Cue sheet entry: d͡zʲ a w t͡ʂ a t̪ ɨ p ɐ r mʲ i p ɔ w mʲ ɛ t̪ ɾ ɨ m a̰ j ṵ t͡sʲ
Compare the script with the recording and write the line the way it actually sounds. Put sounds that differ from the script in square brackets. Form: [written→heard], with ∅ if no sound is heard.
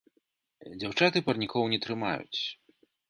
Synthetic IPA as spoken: d͡zʲ a w t͡ʂ a t̪ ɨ p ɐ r [mʲ→nʲ] i [p→k] ɔ w [mʲ→nʲ] ɛ t̪ ɾ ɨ m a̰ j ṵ t͡sʲ